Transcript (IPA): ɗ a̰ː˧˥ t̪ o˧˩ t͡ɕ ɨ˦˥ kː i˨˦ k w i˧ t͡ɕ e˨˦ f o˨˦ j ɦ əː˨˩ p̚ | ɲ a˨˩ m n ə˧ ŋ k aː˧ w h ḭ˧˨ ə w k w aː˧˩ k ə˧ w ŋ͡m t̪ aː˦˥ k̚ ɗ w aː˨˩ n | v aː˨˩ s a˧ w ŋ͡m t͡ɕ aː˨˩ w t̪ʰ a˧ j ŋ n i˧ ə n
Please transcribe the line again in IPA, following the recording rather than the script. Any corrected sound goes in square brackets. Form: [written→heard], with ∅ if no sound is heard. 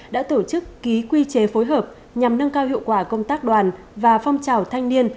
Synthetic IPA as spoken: ɗ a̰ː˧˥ t̪ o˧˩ t͡ɕ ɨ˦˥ kː i˨˦ k w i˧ t͡ɕ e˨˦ f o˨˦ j ɦ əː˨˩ p̚ | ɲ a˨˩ m n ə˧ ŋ k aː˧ w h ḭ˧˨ ə w k w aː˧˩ k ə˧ w ŋ͡m t̪ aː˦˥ k̚ ɗ w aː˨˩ n | v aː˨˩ [s→f] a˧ w ŋ͡m t͡ɕ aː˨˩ w t̪ʰ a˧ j ŋ n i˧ ə n